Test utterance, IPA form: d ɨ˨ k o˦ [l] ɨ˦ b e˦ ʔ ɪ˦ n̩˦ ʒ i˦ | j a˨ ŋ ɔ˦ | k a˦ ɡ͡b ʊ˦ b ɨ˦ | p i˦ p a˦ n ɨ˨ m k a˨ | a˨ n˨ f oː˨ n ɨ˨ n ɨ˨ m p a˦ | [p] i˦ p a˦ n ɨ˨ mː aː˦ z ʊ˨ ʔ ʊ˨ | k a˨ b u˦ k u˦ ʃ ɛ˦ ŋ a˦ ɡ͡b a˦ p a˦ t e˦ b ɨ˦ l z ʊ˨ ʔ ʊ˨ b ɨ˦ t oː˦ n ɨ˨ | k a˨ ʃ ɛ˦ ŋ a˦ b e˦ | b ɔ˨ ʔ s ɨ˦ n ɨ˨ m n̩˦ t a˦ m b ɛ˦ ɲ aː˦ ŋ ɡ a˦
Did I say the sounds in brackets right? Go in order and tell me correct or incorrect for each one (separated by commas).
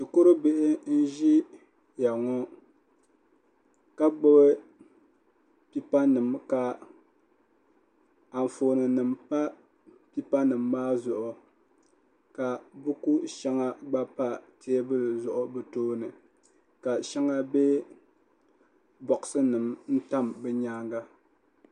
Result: incorrect, correct